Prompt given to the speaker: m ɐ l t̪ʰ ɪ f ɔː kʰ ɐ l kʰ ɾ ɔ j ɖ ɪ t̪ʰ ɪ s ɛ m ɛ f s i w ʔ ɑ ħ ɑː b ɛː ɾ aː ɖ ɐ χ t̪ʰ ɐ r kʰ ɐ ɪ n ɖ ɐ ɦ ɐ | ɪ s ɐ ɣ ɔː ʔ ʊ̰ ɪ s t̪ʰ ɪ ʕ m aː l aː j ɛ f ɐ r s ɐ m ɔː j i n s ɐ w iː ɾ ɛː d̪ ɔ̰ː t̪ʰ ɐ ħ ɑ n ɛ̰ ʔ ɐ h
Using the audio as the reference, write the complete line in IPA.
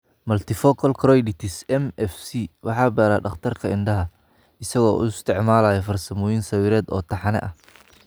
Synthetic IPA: m ɐ l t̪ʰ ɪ f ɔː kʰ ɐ l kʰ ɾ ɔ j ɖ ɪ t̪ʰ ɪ s ɛ m ɛ f s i w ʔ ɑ ħ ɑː b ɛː ɾ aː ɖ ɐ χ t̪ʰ ɐ r kʰ ɐ ɪ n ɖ ɐ ɦ ɐ | ɪ s ɐ ɣ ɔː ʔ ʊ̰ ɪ s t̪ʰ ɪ ʕ m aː l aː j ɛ f ɐ r s ɐ m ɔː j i n s ɐ w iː ɾ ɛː d̪ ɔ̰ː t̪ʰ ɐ ħ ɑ n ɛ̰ ʔ ɐ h

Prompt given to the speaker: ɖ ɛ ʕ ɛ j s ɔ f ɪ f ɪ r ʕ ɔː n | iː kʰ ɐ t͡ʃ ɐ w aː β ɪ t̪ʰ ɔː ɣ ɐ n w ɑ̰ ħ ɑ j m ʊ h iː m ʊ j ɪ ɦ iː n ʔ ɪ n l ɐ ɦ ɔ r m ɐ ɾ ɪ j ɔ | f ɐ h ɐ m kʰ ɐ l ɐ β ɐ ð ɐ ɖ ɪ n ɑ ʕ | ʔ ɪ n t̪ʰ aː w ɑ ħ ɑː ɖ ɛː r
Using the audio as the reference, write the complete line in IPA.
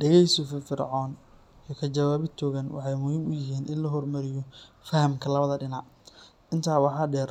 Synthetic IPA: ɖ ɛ ɣ ɛ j s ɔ f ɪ f ɪ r ʕ ɔː n | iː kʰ ɐ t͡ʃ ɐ w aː β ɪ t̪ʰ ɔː ɣ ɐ n w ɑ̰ ħ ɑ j m ʊ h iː m ʊ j ɪ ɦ iː n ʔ ɪ n l ɐ ɦ ɔ r m ɐ ɾ ɪ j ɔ | f ɐ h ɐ m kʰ ɐ l ɐ β ɐ ð ɐ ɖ ɪ n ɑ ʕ | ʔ ɪ n t̪ʰ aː w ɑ ħ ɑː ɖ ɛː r

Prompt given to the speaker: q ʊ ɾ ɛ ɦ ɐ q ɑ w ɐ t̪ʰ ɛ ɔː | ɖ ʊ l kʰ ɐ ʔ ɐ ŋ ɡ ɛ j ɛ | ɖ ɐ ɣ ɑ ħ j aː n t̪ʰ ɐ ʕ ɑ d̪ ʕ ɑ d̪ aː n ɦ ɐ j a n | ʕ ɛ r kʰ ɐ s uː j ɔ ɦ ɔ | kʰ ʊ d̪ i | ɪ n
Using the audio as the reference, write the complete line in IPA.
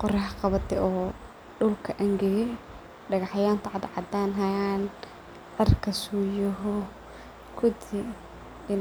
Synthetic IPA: q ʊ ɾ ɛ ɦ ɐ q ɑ β ɐ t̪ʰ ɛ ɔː | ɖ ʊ l kʰ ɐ ʔ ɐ ŋ ɡ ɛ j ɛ | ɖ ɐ ɣ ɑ ħ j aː n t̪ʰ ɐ ʕ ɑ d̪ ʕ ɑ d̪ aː n ɦ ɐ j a n | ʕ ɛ r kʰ ɐ s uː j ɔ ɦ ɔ | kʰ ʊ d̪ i | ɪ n

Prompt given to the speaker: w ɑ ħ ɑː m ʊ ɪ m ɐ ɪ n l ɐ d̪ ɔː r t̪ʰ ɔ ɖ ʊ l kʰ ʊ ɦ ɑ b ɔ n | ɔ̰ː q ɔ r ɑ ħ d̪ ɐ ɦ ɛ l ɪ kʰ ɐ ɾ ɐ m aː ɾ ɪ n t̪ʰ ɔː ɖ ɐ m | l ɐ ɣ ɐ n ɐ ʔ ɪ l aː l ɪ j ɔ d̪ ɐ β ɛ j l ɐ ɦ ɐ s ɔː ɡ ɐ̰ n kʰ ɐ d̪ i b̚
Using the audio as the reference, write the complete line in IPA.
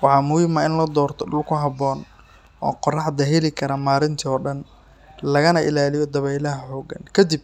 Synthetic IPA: w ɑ ħ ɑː m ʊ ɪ m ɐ ɪ n l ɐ d̪ ɔː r t̪ʰ ɔ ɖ ʊ l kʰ ʊ ɦ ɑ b ɔː n | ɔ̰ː q ɔ r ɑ ħ d̪ ɐ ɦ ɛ l ɪ kʰ ɐ ɾ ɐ m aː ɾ ɪ n t̪ʰ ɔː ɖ ɐ n | l ɐ ɣ ɐ n ɐ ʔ ɪ l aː l ɪ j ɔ d̪ ɐ β ɛ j l ɐ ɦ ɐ ħ ɔː ɡ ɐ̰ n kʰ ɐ d̪ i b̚

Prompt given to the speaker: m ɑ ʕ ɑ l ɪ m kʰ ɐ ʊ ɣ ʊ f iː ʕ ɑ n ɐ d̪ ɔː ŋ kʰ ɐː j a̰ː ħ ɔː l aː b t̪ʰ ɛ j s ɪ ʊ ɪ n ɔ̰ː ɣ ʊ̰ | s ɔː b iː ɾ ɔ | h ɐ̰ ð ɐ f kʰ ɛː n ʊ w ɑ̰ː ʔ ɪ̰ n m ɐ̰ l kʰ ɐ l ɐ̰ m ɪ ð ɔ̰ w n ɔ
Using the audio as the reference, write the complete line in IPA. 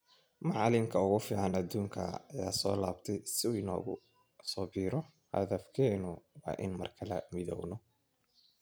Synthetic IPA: m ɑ ʕ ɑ l ɪ m kʰ ɐ ʊ ɣ ʊ f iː ʕ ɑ n ɐ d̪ uː ŋ kʰ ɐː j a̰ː s ɔː l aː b t̪ʰ ɛ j s ɪ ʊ ɪ n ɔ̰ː ɣ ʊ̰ | s ɔː b iː ɾ ɔ | h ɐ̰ ð ɐ f kʰ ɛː n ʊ w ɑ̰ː ʔ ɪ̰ n m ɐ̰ r kʰ ɐ l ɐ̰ m ɪ ð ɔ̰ w n ɔ

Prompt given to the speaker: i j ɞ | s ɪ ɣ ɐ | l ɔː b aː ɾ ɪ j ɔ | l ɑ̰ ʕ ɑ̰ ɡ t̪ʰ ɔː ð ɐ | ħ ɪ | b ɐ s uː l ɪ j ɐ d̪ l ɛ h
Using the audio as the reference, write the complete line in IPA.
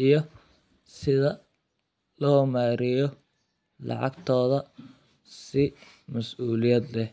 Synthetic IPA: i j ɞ | s ɪ ð ɐ | l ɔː m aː ɾ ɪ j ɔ | l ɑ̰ ʕ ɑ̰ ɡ t̪ʰ ɔː ð ɐ | s ɪ | m ɐ s uː l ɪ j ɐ d̪ l ɛ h

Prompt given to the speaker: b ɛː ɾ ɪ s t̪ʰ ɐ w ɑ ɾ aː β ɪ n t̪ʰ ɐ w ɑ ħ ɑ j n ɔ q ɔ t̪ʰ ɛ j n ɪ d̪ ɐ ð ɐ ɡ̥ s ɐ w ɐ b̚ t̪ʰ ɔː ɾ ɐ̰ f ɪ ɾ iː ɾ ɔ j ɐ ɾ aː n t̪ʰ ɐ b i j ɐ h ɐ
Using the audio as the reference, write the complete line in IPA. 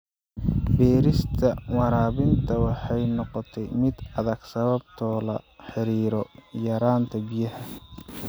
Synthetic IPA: b ɛː ɾ ɪ s t̪ʰ ɐ w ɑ ɾ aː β ɪ n t̪ʰ ɐ w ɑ ħ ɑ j n ɔ q ɔ t̪ʰ ɛ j m ɪ d̪ ɐ ð ɐ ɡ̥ s ɐ β ɐ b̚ t̪ʰ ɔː l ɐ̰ ħ ɪ ɾ iː ɾ ɔ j ɐ ɾ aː n t̪ʰ ɐ b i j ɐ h ɐ

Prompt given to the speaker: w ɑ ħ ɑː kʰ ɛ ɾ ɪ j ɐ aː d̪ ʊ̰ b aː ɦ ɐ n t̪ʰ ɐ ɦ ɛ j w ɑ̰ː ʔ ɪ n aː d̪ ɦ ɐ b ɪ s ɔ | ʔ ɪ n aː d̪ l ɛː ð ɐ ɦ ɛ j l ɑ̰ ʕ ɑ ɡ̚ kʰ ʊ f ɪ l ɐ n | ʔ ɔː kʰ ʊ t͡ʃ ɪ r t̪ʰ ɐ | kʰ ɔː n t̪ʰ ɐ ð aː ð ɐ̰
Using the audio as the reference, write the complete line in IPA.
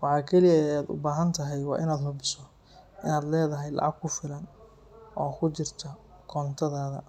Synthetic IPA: w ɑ ħ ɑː kʰ ɛ l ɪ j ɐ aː d̪ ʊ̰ b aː ɦ ɐ n t̪ʰ ɐ ɦ ɛ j w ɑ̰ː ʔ ɪ n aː d̪ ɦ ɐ b ɪ s ɔ | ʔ ɪ n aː d̪ l ɛː ð ɐ ɦ ɛ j l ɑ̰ ʕ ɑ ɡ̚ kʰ ʊ f ɪ l ɐ n | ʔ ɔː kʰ ʊ t͡ʃ ɪ r t̪ʰ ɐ | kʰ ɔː n t̪ʰ ɐ ð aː ð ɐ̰

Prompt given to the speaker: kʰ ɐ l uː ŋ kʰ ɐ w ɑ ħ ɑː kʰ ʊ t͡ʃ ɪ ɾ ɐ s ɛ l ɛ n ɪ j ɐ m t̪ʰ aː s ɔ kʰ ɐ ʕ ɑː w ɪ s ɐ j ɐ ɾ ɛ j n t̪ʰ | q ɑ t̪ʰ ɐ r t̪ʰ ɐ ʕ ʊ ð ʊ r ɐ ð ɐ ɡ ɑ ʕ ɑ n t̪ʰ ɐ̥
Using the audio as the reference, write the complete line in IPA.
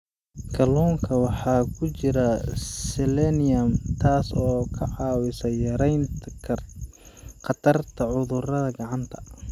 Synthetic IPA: kʰ ɐ l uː ŋ kʰ ɐ w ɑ ħ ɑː kʰ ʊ t͡ʃ ɪ ɾ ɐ s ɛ l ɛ n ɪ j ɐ m t̪ʰ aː s ɔː kʰ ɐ ʕ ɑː w ɪ s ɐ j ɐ ɾ ɛ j n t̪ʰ | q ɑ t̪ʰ ɐ r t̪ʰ ɐ ʕ ʊ ð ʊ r ɐ ð ɐ ɡ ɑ ʕ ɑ n t̪ʰ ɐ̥

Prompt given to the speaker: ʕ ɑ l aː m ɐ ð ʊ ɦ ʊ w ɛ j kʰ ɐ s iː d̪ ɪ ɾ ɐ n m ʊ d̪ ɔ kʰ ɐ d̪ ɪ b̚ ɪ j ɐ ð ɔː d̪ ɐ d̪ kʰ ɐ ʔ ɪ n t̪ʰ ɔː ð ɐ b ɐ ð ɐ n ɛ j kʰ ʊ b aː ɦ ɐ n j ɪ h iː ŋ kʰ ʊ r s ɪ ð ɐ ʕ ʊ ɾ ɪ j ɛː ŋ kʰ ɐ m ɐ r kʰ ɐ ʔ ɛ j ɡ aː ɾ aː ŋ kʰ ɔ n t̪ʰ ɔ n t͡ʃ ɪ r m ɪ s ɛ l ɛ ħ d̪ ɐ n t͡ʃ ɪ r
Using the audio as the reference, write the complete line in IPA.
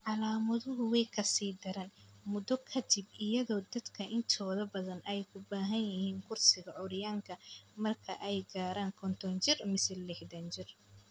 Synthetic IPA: ʕ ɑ l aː m ɐ ð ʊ ɦ ʊ w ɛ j kʰ ɐ s iː d̪ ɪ ɾ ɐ n m ʊ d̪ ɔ kʰ ɐ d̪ ɪ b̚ ɪ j ɐ ð ɔː d̪ ɐ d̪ kʰ ɐ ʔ ɪ n t̪ʰ ɔː ð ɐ b ɐ ð ɐ n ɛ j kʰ ʊ b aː ɦ ɐ n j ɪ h iː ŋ kʰ ʊ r s ɪ ɣ ɐ ʕ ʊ ɾ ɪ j aː ŋ kʰ ɐ m ɐ r kʰ ɐ ʔ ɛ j ɡ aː ɾ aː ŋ kʰ ɔ n t̪ʰ ɔ n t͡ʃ ɪ r m ɪ s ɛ l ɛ ħ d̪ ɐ n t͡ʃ ɪ r

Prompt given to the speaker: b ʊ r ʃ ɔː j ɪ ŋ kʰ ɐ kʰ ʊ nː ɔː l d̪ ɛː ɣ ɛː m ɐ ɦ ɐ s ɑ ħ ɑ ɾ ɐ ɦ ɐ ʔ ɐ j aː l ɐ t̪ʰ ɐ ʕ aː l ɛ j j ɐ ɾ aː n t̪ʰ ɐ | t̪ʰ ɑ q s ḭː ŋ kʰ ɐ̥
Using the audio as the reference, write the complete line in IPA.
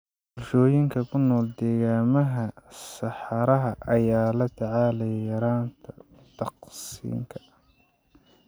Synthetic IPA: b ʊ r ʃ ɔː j ɪ ŋ kʰ ɐ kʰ ʊ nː ɔː l d̪ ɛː ɣ aː m ɐ ɦ ɐ s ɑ ħ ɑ ɾ ɐ ɦ ɐ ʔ ɐ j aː l ɐ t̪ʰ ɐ ʕ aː l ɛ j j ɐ ɾ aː n t̪ʰ ɐ | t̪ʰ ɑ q s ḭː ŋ kʰ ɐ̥

